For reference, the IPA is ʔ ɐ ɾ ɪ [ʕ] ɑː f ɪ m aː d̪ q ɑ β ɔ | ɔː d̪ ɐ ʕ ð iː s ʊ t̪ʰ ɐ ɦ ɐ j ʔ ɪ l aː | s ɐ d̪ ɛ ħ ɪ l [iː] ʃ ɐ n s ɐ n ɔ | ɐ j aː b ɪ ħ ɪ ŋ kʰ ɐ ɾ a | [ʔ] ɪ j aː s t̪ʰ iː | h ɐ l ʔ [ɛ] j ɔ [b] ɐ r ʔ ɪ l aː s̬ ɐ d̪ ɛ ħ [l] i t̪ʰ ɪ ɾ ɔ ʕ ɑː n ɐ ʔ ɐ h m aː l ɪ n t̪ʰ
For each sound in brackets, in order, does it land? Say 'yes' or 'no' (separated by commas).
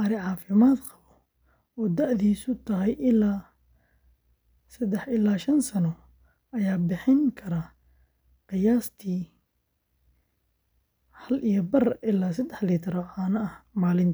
yes, no, no, no, yes, yes